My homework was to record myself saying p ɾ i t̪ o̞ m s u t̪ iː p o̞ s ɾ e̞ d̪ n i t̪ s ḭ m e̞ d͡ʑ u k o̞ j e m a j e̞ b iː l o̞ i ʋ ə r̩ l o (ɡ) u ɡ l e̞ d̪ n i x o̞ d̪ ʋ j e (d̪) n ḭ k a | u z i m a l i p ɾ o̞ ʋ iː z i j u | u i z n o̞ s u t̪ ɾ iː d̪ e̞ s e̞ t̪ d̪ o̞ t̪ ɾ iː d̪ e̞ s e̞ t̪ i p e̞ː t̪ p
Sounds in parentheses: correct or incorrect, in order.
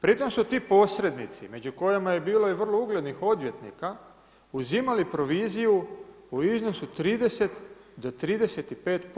incorrect: none, incorrect: t̪

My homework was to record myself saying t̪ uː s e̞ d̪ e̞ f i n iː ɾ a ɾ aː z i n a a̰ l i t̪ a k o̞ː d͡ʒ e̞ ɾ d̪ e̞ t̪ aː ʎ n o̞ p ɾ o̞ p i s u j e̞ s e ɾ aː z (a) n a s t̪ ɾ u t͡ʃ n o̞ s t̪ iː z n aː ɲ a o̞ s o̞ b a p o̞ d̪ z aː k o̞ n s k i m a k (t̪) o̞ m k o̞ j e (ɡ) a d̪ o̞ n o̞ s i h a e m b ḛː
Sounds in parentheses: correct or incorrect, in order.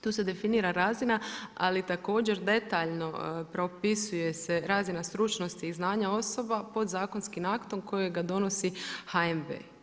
incorrect: i, correct, correct

